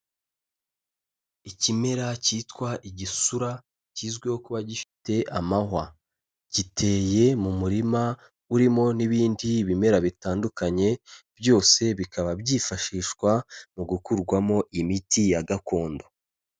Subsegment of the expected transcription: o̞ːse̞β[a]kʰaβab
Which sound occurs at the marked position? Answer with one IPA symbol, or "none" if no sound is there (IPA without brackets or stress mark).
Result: i